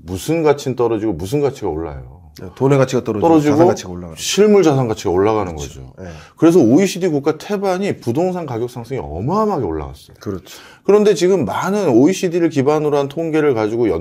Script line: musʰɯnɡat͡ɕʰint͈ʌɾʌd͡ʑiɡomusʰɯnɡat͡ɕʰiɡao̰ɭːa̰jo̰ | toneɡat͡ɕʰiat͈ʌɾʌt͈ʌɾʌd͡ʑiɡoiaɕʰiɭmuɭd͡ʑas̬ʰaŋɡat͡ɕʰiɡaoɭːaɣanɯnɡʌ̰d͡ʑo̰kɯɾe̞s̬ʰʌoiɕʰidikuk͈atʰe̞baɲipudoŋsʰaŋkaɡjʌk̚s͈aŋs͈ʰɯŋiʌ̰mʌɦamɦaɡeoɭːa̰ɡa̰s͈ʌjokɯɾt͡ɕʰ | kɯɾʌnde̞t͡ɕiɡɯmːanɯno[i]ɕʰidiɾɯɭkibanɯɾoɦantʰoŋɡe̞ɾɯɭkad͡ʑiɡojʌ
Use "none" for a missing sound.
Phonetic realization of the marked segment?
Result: i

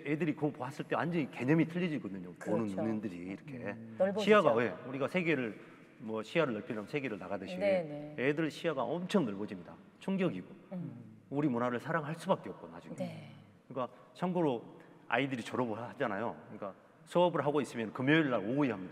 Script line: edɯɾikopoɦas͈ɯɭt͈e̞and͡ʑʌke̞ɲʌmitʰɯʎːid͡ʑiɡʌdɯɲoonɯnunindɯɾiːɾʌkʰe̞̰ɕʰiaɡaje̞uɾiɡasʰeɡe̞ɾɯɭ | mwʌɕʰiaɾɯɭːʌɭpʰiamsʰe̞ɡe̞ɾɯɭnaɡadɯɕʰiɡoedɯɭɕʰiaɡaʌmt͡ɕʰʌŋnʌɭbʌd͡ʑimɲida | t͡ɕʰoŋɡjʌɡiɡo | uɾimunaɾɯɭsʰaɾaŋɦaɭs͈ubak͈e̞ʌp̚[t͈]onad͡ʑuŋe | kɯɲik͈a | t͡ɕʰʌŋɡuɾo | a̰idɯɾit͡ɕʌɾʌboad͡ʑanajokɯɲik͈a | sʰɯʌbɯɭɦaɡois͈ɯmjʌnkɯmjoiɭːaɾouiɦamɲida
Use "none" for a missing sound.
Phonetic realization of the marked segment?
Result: k͈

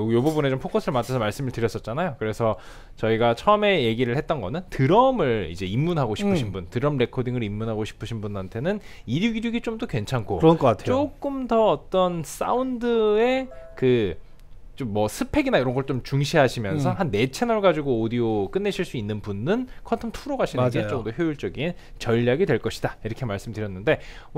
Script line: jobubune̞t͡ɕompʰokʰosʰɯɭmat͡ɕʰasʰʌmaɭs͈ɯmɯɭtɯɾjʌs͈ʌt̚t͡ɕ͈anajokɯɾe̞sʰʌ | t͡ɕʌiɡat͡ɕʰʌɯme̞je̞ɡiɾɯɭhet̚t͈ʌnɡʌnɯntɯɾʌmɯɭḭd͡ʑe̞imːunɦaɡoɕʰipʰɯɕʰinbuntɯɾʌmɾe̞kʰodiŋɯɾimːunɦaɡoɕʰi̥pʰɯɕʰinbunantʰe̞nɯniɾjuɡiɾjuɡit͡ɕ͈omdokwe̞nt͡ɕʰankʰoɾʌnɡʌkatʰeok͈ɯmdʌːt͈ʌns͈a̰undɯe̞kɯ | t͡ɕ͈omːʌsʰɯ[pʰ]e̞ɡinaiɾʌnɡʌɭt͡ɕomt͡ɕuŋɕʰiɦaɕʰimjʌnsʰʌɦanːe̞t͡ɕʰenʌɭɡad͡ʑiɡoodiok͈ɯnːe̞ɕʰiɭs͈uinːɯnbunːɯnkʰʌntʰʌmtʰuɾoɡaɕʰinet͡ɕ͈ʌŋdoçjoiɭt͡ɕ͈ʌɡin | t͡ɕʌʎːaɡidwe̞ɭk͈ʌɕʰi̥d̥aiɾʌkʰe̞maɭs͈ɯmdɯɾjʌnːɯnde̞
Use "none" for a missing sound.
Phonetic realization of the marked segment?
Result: pʰ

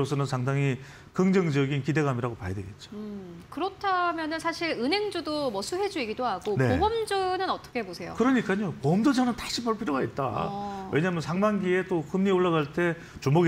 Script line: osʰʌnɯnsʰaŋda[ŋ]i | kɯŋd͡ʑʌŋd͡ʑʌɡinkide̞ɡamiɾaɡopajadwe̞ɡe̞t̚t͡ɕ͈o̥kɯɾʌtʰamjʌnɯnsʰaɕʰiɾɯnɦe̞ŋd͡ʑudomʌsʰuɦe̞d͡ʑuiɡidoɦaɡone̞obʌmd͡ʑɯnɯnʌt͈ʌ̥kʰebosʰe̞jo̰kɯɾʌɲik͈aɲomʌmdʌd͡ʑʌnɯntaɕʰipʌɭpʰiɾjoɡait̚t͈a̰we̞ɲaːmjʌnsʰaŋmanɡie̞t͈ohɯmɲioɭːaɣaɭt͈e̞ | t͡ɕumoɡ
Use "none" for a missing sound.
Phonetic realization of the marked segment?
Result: ŋ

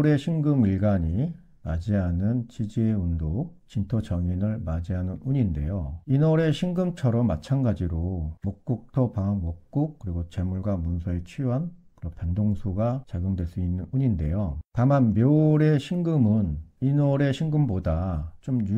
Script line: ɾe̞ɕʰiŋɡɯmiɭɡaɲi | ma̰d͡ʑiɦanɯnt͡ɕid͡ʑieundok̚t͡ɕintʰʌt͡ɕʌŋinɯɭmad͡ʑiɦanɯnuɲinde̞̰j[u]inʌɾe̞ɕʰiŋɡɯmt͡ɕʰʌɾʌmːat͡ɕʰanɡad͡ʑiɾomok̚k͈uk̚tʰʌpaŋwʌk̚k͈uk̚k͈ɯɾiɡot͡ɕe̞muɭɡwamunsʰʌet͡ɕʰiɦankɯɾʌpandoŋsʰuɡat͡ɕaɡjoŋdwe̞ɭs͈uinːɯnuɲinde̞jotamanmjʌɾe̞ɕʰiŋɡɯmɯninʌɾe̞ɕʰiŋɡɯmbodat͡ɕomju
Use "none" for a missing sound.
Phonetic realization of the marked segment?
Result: o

